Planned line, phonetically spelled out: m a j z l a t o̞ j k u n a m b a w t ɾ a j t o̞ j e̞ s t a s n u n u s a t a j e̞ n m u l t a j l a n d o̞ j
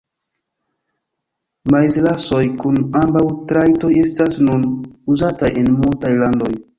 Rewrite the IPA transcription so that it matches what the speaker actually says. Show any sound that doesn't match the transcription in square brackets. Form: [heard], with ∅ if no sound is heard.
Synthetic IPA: m a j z l a [s] o̞ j k u n a m b a w t ɾ a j t o̞ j e̞ s t a s n u n u [z] a t a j e̞ n m u l t a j l a n d o̞ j